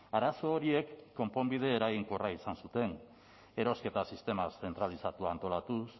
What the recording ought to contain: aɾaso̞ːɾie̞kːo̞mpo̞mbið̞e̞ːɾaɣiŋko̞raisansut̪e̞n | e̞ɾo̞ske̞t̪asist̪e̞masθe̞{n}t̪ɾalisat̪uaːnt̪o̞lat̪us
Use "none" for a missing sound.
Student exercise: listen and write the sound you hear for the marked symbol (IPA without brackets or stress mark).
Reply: n